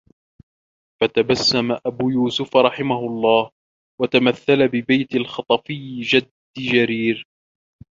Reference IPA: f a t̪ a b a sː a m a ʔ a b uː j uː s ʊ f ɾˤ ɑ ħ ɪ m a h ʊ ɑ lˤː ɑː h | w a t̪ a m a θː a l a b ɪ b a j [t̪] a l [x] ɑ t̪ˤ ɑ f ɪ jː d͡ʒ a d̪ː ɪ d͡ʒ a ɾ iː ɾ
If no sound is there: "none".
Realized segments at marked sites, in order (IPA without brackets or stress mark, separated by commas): t̪, x